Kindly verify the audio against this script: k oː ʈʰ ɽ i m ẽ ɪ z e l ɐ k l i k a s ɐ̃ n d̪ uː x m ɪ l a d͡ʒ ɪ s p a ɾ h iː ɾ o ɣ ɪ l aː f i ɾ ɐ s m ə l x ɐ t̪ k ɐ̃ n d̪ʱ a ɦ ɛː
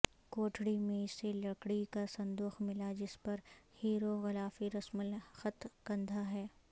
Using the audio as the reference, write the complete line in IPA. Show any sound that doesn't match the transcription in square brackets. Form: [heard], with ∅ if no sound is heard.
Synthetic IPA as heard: k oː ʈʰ ɽ i m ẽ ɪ [s] e l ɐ k [ɽ] i k a s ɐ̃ n d̪ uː x m ɪ l a d͡ʒ ɪ s p [ɐ] ɾ h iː ɾ o ɣ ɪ l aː f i ɾ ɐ s m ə l x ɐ t̪ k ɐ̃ n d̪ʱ a ɦ ɛː

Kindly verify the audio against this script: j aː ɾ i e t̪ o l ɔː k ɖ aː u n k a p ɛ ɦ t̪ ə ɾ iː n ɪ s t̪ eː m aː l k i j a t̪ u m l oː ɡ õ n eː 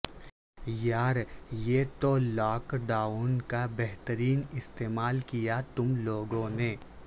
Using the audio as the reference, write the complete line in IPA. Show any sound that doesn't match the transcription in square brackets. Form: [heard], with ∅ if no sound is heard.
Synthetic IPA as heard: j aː ɾ [j] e t̪ o l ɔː k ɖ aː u n k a [b] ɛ ɦ t̪ ə ɾ iː n ɪ s t̪ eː m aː l k i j a t̪ [ʊ] m l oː ɡ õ n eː

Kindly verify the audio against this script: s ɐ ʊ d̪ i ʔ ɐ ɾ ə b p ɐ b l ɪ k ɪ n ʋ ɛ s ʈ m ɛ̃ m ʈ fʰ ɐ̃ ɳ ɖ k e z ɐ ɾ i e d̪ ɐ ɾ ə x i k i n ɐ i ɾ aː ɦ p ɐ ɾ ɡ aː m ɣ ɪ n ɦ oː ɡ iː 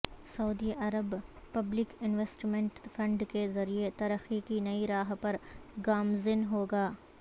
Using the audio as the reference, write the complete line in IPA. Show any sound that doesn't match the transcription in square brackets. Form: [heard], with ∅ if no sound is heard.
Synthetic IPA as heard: s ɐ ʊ d̪ i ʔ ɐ ɾ ə b p ɐ b l ɪ k ɪ n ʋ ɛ s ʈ m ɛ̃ [ɳ] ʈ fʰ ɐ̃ ɳ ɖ k e z ɐ ɾ i e [t̪] ɐ ɾ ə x i k i n ɐ i ɾ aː ɦ p ɐ ɾ ɡ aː m [z] ɪ n ɦ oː ɡ [aː]

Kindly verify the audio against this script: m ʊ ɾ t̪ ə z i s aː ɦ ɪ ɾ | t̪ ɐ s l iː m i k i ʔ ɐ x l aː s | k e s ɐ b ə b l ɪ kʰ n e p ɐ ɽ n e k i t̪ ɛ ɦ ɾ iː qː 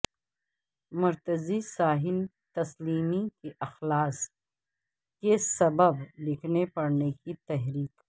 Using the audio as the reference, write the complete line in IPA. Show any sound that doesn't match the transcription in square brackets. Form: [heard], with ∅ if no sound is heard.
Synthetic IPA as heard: m ʊ ɾ t̪ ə z i s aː ɦ ɪ [l] | t̪ ɐ s l iː m i k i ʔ ɐ x l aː s | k e s ɐ b ə b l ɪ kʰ n e p ɐ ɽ n e k i t̪ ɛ ɦ ɾ iː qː

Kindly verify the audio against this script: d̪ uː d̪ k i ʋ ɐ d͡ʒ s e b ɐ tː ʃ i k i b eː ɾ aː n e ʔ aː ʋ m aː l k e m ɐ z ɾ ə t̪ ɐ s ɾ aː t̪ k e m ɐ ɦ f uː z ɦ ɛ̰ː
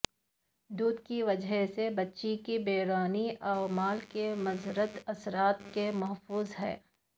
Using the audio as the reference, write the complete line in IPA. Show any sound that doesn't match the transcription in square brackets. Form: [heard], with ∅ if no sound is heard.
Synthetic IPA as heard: d̪ uː d̪ k i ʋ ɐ d͡ʒ s e b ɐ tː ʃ i k i b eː ɾ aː n [i] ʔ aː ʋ m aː l k e m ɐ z ɾ ə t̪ ɐ s ɾ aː t̪ k e m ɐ ɦ f uː z ɦ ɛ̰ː

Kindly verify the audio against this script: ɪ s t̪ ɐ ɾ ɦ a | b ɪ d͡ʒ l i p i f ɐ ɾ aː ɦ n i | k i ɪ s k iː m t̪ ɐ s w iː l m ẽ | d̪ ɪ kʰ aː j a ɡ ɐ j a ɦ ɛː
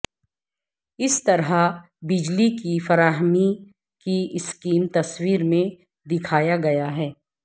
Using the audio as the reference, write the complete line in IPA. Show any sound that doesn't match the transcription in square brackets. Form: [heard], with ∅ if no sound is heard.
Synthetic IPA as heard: ɪ s t̪ ɐ ɾ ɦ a | b ɪ d͡ʒ l i [k] i f ɐ ɾ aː ɦ [m] i | k i ɪ s k iː m t̪ ɐ s w iː [ɾ] m ẽ | d̪ ɪ kʰ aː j a ɡ ɐ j a ɦ ɛː

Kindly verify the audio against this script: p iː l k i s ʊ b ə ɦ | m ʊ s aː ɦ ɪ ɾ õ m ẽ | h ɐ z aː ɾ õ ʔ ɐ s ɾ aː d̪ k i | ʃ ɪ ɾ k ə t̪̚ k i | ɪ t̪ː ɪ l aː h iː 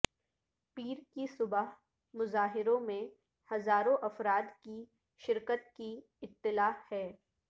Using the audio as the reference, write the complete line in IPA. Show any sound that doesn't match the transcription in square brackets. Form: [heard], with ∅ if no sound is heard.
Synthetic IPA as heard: p iː [ɾ] k i s ʊ b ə ɦ | m ʊ [z] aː ɦ ɪ ɾ õ m ẽ | h ɐ z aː ɾ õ ʔ ɐ [f] ɾ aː d̪ k i | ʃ ɪ ɾ k ə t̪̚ k i | ɪ t̪ː ɪ l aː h [ɛː]

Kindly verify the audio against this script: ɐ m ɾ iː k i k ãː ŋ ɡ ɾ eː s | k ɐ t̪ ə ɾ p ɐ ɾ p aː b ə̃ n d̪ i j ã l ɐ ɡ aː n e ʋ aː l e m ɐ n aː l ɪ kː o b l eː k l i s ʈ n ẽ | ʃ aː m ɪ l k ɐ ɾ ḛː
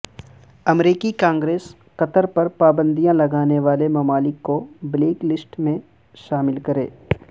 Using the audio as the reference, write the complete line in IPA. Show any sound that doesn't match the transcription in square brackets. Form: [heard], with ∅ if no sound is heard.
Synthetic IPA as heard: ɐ m ɾ iː k i k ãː ŋ ɡ ɾ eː s | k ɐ t̪ ə ɾ p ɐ ɾ p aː b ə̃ n d̪ i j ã l ɐ ɡ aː n e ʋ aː l e m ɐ [m] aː l ɪ kː o b l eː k l [ɪ] s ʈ [m] ẽ | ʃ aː m ɪ l k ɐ ɾ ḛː

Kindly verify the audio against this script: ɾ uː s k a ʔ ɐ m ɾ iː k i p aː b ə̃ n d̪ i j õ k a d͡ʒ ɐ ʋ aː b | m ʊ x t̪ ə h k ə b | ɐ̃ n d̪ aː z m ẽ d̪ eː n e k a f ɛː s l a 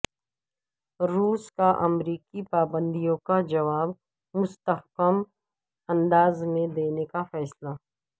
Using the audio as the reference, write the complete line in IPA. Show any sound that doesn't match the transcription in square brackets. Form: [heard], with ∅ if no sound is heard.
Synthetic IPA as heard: ɾ uː s k a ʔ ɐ m ɾ iː k i p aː b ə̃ n d̪ i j õ k a d͡ʒ ɐ ʋ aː b | m ʊ [s] t̪ ə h k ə [m] | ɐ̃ n d̪ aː z m ẽ d̪ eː n e k a f ɛː s l a

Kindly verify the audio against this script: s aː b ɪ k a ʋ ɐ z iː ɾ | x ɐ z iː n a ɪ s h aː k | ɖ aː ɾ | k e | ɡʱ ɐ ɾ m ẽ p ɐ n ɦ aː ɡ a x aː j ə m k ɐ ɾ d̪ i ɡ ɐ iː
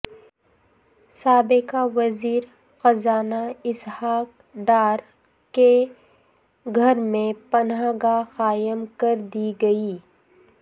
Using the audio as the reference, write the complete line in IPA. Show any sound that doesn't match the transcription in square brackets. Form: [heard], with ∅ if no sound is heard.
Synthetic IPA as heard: s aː b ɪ k a ʋ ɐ z iː ɾ | x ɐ z [aː] n a ɪ s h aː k | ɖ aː ɾ | k e | ɡʱ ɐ ɾ m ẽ p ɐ n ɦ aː ɡ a x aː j ə m k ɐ ɾ d̪ i ɡ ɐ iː

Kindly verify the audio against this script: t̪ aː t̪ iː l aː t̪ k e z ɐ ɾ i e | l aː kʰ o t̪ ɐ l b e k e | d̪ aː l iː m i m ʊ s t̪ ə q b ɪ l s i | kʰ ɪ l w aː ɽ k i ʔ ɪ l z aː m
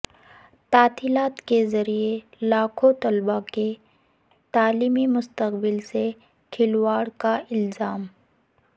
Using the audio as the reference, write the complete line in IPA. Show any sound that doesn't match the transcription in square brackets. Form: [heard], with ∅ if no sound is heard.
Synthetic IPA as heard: t̪ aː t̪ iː l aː t̪ k e z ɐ ɾ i e | l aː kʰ o t̪ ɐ l b [a] k e | [t̪] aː l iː m i m ʊ s t̪ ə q b ɪ l s [e] | kʰ ɪ l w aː ɽ k [a] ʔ ɪ l z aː m

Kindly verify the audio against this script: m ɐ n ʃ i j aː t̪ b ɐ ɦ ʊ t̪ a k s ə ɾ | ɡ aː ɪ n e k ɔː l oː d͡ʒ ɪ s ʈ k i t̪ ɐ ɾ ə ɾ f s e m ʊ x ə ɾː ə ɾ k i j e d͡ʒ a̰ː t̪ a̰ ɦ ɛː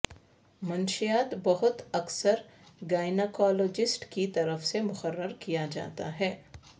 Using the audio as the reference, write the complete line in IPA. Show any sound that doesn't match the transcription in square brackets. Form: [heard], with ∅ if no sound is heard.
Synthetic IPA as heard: m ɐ n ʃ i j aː t̪ b ɐ ɦ ʊ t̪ [ɐ] k s ə ɾ | ɡ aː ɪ n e k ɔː l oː d͡ʒ ɪ s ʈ k i t̪ ɐ ɾ ə [∅] f s e m ʊ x ə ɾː ə ɾ k i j [a] d͡ʒ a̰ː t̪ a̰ ɦ ɛː

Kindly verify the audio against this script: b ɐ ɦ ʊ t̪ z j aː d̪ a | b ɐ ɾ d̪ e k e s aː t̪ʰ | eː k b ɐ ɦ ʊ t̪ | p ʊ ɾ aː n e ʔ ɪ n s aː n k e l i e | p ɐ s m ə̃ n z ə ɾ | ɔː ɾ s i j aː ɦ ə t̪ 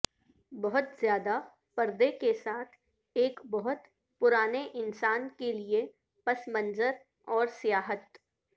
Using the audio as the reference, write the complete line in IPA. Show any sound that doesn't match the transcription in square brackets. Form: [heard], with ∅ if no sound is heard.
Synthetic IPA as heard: b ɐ ɦ ʊ t̪ z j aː d̪ a | [p] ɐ ɾ d̪ e k e s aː t̪ʰ | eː k b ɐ ɦ ʊ t̪ | p ʊ ɾ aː n e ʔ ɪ n s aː n k e l i e | p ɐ s m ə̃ n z ə ɾ | ɔː ɾ s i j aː ɦ ə t̪

